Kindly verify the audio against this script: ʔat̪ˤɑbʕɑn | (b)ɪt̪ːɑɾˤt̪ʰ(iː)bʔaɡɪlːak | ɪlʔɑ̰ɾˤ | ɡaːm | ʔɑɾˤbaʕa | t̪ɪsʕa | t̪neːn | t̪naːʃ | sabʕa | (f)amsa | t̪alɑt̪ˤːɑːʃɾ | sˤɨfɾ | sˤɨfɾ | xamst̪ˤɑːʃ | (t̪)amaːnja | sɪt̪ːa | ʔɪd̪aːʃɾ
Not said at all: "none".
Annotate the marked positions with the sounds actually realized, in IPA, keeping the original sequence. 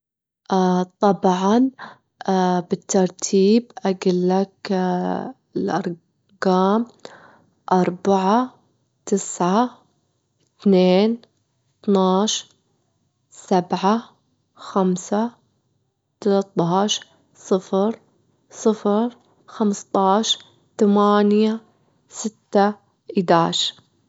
b, iː, x, t̪

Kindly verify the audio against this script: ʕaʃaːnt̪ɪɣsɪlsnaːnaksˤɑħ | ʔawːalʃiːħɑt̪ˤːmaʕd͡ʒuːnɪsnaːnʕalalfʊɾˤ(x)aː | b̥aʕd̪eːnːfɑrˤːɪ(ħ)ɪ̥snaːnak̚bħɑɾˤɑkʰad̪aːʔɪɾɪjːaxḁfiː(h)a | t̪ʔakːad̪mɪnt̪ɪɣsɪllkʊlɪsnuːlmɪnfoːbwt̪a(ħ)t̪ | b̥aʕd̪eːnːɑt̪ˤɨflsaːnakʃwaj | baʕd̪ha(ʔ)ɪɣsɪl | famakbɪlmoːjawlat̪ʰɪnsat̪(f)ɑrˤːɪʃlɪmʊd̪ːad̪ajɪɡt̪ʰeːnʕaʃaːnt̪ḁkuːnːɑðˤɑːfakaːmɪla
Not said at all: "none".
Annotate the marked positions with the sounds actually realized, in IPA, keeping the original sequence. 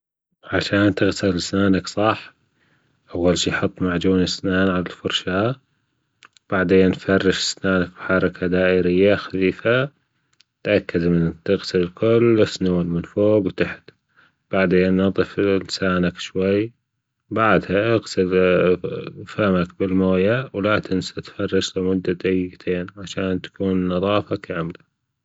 ʃ, ʃ, f, ħ, ʔ, f

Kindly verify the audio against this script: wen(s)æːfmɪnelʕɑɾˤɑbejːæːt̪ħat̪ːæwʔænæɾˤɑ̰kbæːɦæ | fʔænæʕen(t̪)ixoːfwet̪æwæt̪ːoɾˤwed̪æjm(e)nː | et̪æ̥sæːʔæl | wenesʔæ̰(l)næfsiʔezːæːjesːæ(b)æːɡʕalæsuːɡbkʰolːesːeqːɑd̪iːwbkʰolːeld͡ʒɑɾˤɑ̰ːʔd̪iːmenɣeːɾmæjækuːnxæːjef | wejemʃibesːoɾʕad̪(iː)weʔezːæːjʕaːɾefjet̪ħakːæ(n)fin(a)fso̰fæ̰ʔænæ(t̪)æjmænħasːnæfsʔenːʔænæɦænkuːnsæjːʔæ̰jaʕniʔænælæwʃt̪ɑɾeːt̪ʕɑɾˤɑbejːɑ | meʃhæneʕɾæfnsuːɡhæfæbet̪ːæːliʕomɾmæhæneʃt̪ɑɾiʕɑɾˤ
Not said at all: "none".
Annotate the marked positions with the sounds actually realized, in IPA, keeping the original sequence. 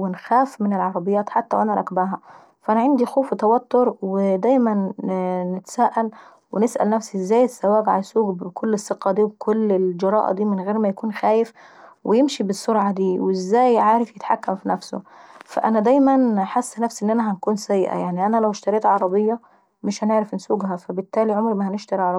x, d̪, æ, l, w, iː, m, æ, d̪

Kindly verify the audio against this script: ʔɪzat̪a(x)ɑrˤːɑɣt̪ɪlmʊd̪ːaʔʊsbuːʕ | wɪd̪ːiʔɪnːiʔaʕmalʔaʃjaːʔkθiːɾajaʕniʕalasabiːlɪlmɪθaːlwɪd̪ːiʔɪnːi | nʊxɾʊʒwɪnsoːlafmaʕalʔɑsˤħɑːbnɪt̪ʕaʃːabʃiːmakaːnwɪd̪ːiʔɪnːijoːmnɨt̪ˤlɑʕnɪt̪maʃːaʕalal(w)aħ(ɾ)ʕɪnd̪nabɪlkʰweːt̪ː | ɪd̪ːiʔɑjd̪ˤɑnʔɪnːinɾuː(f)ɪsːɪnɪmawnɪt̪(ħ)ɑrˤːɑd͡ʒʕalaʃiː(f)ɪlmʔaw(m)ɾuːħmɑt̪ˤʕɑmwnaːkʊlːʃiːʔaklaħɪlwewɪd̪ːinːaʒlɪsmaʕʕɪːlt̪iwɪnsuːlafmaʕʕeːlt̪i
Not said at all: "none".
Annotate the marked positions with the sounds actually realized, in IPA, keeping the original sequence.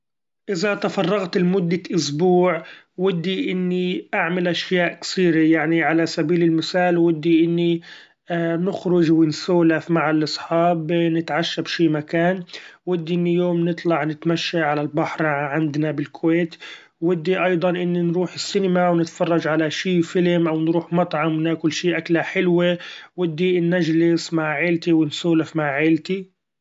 f, b, ɾ, ħ, f, f, n

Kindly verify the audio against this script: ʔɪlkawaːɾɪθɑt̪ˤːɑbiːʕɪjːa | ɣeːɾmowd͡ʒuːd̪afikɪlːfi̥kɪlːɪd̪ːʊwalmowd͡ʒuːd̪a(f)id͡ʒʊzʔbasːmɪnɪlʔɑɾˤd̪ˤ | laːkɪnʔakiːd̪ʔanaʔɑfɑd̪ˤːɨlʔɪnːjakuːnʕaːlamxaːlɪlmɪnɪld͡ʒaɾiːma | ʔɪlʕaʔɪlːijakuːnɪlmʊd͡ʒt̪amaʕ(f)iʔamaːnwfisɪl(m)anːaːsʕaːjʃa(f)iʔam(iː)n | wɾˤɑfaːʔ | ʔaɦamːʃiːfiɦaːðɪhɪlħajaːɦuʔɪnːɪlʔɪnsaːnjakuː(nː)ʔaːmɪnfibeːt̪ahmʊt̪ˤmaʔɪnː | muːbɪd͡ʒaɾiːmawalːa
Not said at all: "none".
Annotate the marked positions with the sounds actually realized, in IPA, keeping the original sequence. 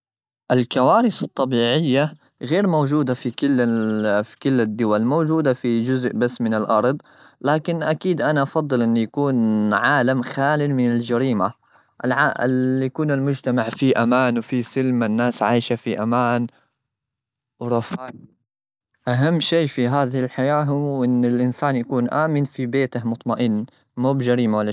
f, f, m, f, aː, n

